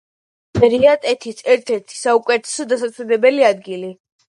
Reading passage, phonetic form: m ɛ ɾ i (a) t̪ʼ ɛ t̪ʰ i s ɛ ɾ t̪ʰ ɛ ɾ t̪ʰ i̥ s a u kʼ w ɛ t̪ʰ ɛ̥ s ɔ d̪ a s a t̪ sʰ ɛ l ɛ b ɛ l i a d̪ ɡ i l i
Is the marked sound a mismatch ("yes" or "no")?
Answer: no